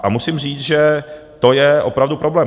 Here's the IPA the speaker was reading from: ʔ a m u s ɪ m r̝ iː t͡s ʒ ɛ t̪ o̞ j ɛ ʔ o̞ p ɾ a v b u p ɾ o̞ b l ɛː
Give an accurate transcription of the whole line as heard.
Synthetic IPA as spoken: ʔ a m u s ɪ m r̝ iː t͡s ʒ ɛ t̪ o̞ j ɛ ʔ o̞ p ɾ a v d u p ɾ o̞ b l ɛː